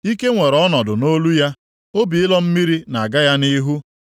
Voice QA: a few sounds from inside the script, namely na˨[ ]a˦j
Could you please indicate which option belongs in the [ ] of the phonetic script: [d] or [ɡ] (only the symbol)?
ɡ